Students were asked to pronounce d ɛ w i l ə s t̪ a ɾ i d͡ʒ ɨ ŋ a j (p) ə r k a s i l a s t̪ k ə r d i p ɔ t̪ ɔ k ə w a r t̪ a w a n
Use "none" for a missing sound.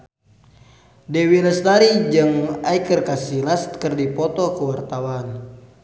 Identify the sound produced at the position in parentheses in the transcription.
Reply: k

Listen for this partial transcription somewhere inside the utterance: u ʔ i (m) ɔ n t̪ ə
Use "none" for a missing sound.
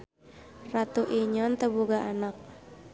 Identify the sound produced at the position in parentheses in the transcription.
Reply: ɲ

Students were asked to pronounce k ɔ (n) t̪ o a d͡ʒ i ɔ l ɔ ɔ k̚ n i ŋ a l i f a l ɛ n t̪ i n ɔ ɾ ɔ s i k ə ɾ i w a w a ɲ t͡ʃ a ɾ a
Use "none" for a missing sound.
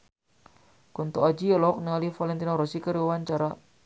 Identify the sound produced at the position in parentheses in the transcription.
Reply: n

